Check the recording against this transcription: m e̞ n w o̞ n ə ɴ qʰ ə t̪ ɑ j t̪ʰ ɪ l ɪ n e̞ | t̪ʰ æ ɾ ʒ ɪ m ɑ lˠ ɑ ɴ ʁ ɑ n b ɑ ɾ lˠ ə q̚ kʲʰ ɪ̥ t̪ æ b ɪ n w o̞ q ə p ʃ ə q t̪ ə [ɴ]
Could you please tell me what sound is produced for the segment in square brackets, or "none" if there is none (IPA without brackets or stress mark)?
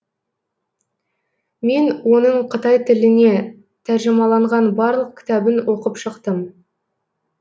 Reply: m